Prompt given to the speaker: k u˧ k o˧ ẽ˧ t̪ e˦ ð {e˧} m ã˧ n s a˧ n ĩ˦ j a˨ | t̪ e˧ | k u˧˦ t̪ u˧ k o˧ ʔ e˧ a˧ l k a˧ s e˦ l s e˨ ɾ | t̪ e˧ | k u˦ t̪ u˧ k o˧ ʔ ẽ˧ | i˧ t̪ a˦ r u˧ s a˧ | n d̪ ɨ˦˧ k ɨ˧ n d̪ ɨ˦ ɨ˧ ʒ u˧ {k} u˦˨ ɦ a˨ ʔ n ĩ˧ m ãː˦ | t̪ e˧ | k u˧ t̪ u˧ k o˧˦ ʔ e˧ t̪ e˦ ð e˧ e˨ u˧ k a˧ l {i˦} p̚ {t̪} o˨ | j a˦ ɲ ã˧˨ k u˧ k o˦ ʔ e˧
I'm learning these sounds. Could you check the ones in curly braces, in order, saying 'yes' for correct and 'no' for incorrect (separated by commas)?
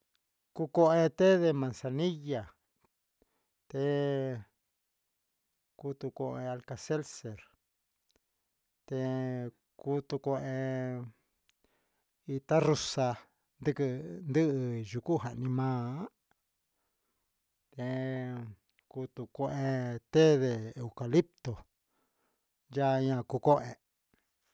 yes, yes, yes, yes